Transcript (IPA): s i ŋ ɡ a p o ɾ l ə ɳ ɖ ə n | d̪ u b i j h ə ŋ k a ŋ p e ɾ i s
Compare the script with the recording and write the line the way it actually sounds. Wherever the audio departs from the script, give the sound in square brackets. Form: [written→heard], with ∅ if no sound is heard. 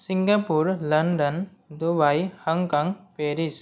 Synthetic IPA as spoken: s i ŋ ɡ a p [o→u] ɾ l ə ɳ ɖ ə n | d̪ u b [i→a] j h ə ŋ k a ŋ p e ɾ i s